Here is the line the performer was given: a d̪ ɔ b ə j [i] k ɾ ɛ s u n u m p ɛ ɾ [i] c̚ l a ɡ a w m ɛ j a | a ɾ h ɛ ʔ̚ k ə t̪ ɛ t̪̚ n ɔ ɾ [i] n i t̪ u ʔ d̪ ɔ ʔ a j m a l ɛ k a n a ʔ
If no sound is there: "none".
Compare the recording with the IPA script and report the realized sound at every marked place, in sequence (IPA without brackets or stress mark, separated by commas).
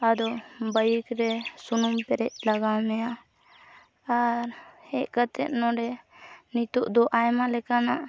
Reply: i, ɛ, ɛ